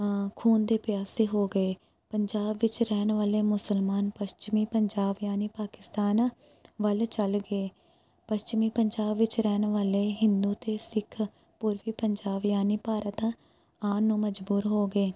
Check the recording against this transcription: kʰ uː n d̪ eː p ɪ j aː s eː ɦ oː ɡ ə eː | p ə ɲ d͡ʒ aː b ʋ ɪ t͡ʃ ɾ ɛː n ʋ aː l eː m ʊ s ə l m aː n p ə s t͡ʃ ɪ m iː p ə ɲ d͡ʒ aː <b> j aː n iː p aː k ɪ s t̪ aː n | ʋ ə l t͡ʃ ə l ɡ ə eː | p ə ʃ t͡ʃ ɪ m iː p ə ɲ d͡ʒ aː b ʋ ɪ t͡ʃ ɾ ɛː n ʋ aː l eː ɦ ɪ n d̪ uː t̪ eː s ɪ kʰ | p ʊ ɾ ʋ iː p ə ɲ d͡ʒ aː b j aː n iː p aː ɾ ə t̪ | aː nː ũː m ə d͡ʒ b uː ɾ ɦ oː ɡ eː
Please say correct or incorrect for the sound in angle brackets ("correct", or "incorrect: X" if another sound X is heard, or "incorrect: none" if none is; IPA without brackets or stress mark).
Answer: correct